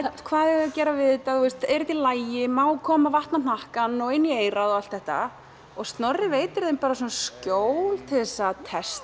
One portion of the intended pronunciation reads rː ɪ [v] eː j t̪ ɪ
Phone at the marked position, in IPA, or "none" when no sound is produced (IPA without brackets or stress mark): v